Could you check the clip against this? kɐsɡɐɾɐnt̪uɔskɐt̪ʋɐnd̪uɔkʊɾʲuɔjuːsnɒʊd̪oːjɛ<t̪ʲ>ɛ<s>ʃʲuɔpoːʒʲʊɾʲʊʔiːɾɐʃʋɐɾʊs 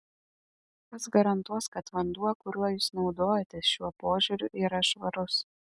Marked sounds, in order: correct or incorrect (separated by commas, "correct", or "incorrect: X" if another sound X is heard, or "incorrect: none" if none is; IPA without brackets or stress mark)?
correct, correct